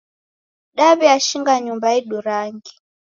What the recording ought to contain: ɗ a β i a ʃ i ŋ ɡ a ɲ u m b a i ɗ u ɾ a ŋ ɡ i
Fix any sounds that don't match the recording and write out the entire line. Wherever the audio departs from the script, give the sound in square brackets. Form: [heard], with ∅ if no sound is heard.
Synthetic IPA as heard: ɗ a β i a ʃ i ŋ ɡ a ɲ u m b a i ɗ u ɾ a ŋ ɡ i